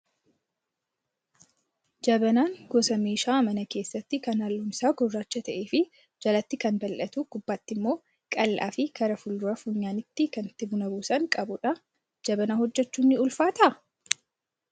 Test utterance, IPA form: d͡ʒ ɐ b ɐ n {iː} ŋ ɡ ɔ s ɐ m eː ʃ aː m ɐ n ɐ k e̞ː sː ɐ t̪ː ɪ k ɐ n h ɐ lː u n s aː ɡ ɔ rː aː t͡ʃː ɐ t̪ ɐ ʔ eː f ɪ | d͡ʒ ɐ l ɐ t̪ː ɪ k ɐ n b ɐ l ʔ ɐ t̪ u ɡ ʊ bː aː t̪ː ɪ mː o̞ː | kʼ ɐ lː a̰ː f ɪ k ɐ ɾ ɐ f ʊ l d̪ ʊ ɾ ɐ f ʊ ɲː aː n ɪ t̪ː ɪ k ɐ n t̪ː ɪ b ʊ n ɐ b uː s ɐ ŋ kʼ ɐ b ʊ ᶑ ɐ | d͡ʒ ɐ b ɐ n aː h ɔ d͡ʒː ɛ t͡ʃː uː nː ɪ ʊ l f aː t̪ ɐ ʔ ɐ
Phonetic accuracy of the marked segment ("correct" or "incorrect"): incorrect